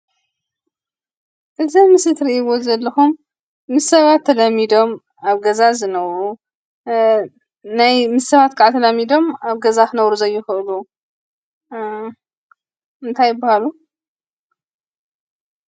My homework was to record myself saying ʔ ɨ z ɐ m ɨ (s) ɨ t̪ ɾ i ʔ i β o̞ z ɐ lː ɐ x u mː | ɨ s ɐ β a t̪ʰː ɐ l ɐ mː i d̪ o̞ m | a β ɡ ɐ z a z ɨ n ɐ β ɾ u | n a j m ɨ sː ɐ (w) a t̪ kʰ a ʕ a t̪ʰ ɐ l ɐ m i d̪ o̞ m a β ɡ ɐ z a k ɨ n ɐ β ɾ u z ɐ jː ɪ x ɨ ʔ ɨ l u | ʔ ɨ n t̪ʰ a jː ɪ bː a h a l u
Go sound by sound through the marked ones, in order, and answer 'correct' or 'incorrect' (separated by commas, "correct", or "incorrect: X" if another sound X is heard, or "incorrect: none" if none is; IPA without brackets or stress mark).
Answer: correct, incorrect: β